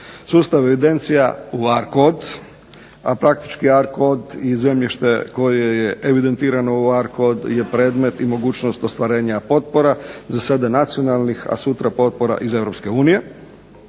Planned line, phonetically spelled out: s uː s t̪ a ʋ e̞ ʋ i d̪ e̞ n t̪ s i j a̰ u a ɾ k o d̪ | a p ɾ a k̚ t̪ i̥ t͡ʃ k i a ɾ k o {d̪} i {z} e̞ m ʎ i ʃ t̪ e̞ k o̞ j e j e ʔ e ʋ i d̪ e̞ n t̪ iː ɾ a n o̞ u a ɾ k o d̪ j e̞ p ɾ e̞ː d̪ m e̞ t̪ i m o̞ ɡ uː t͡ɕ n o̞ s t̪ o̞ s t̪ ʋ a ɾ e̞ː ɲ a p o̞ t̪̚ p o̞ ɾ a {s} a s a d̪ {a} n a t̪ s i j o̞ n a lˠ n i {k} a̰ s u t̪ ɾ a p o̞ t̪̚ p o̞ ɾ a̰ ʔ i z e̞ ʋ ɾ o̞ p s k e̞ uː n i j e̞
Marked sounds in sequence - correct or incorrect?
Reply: correct, correct, incorrect, correct, incorrect

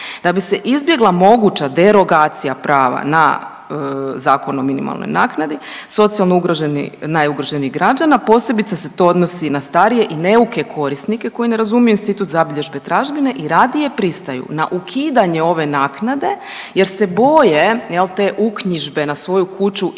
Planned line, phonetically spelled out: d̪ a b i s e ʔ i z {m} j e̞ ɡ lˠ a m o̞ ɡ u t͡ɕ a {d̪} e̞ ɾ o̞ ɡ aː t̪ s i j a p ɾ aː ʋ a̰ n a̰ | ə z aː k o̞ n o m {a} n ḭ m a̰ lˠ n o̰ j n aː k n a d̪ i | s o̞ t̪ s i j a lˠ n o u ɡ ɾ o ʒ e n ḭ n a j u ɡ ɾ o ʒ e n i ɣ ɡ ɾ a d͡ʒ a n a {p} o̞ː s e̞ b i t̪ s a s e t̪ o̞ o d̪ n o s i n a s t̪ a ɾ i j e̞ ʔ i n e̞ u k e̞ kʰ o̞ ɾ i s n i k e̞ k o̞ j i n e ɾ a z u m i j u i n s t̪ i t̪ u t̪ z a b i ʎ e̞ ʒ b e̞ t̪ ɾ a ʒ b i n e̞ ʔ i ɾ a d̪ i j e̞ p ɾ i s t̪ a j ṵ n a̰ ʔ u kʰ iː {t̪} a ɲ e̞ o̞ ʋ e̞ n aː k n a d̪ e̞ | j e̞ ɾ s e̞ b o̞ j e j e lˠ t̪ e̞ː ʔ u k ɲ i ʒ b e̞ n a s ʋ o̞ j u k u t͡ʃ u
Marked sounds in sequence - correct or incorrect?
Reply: incorrect, correct, incorrect, correct, incorrect

